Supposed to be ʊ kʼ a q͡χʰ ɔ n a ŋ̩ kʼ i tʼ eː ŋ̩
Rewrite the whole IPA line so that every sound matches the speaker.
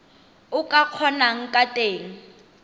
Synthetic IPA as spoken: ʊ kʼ a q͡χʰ ɔ n a ŋ̩ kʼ a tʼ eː ŋ̩